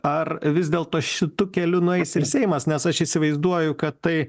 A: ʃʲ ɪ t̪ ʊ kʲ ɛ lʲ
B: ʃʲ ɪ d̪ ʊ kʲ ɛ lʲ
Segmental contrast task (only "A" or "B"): A